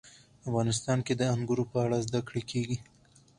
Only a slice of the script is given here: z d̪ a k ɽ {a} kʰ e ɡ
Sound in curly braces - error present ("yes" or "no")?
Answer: yes